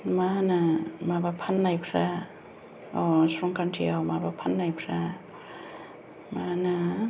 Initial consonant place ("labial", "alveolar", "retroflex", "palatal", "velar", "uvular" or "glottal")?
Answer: labial